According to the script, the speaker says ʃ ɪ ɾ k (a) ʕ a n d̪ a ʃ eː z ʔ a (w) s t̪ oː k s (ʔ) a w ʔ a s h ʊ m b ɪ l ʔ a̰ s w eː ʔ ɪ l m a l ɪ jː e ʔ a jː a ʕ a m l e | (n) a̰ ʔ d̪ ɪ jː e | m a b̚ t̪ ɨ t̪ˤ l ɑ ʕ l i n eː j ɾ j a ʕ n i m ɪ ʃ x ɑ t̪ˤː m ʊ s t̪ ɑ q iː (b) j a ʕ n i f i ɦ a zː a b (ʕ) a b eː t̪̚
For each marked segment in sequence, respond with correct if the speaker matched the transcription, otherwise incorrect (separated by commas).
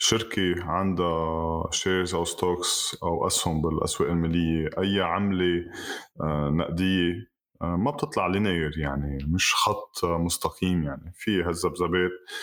incorrect, correct, correct, correct, incorrect, incorrect